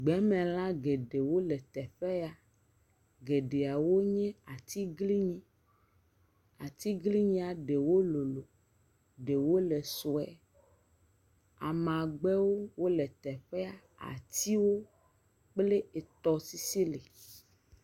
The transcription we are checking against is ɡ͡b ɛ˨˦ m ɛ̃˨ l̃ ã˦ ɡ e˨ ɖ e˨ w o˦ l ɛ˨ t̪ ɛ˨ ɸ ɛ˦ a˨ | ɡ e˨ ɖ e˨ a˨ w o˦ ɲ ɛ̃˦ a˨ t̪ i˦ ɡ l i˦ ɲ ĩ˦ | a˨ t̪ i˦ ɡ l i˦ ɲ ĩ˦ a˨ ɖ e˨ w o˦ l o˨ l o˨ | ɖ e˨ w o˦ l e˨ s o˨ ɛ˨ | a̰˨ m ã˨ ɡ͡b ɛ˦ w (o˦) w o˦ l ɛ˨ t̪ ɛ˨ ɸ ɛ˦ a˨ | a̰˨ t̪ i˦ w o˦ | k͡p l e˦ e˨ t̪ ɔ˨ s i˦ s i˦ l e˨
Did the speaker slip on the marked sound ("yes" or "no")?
no